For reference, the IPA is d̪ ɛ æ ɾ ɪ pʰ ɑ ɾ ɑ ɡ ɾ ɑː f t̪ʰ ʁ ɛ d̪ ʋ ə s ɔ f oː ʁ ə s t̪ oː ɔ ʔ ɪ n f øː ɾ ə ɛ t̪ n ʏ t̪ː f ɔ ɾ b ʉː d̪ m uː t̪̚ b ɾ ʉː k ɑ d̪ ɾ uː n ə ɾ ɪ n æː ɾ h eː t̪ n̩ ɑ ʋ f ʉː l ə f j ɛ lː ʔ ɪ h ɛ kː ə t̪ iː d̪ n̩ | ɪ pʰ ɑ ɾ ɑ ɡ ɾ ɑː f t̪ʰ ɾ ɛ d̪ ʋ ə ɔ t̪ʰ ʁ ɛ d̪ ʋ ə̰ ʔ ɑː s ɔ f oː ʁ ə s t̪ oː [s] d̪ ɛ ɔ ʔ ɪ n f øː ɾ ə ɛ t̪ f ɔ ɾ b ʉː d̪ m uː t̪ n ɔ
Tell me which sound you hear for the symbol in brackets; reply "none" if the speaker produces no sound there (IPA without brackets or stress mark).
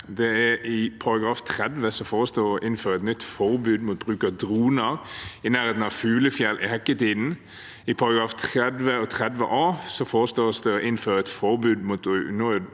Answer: s